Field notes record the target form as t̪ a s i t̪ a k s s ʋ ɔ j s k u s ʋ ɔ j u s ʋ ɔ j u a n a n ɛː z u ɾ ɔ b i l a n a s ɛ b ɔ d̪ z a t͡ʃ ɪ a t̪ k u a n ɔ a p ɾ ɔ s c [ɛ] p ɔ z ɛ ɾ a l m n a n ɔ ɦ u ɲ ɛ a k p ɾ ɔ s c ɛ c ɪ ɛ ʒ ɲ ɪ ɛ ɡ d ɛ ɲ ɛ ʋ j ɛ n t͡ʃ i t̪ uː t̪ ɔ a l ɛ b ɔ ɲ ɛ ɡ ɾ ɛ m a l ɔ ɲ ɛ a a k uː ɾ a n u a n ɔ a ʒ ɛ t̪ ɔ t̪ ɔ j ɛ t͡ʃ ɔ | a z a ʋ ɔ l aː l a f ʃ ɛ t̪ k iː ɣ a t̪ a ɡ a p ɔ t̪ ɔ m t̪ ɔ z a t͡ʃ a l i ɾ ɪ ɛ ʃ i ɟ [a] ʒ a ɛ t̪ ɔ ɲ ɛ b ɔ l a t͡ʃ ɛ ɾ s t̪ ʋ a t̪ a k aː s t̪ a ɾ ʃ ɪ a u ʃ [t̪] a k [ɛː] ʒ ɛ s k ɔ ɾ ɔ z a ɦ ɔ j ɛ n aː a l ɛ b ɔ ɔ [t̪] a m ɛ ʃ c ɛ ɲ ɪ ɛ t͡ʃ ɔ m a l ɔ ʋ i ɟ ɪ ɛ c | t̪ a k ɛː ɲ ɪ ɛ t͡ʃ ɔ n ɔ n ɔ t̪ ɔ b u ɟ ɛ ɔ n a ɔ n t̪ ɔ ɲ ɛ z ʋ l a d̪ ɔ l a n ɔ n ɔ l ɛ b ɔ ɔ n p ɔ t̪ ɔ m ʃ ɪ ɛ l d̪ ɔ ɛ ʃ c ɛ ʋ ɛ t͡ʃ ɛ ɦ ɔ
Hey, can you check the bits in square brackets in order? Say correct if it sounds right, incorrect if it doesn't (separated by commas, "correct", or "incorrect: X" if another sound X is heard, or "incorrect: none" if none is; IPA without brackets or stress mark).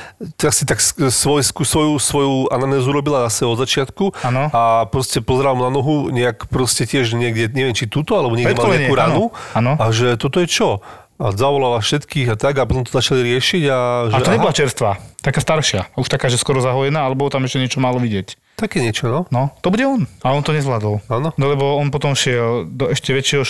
correct, correct, correct, incorrect: aː, correct